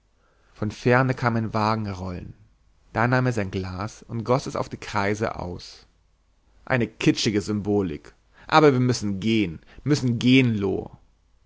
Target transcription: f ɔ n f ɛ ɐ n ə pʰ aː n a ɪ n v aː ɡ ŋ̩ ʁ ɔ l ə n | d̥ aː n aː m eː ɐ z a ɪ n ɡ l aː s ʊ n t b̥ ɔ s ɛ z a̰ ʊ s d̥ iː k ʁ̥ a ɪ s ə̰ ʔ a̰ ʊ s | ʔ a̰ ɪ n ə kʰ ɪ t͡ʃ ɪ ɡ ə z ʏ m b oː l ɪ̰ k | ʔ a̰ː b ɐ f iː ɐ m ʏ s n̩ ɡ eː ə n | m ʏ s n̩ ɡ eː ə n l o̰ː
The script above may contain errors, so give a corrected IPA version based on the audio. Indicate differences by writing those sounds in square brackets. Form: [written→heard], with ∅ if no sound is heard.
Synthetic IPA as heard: f ɔ n f ɛ ɐ n ə [pʰ→kʰ] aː [n→m] a ɪ n v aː ɡ ŋ̩ ʁ ɔ l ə n | d̥ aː n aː m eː ɐ z a ɪ n ɡ l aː s ʊ n t [b̥→ɡ̥] ɔ s ɛ [z→s] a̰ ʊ [s→f] d̥ iː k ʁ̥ a ɪ [s→z] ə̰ ʔ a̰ ʊ s | ʔ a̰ ɪ n ə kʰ ɪ t͡ʃ ɪ ɡ ə z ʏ m b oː l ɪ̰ k | ʔ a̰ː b ɐ [f→v] iː ɐ m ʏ s n̩ ɡ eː ə n | m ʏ s n̩ ɡ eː ə n l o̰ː